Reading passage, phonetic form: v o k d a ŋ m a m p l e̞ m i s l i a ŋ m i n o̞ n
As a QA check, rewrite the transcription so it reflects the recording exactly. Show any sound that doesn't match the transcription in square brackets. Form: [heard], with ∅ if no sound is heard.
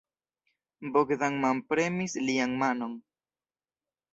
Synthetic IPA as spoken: [b] o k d a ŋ m a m p [ɾ] e̞ m i s l i a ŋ m [a] n o̞ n

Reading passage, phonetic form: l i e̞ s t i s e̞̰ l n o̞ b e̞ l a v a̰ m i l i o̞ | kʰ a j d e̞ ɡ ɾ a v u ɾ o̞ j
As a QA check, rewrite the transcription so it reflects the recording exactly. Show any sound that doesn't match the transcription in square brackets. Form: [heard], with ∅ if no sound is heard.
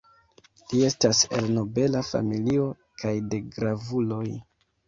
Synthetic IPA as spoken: l i e̞ s t [a] s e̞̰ l n o̞ b e̞ l a [f] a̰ m i l i o̞ | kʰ a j d e̞ ɡ ɾ a v u [l] o̞ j

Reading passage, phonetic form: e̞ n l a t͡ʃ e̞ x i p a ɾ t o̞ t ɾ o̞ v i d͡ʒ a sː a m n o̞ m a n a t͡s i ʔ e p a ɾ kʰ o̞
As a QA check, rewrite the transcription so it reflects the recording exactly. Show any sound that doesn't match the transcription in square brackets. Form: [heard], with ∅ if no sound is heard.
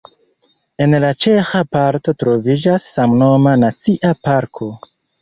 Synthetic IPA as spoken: e̞ n l a t͡ʃ e̞ x [a] p a ɾ t o̞ t ɾ o̞ v i d͡ʒ a sː a m n o̞ m a n a t͡s i ʔ [a] p a ɾ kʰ o̞

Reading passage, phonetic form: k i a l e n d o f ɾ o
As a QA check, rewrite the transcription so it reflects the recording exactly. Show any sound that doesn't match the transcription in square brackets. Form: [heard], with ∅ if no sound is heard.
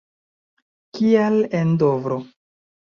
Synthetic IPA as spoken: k i a l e n d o [v] ɾ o

